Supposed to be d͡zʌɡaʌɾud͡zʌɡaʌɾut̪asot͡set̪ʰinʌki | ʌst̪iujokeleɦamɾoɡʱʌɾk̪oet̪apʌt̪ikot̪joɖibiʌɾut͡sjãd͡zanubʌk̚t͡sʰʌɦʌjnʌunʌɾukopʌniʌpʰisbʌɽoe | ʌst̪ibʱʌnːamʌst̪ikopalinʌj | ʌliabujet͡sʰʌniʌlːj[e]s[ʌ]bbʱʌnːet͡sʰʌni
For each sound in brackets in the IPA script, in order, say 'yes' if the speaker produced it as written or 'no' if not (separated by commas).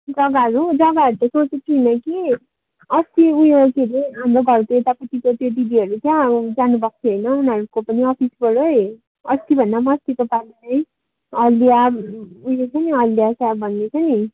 no, no